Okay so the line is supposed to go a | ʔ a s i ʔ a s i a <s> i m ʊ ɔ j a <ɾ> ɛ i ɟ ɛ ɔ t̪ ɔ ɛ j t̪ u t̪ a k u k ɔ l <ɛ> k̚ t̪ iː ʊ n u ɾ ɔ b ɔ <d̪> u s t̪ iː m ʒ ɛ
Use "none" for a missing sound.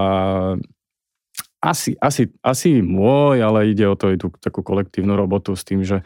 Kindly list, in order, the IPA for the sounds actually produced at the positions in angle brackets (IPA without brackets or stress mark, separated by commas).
s, l, ɛ, t̪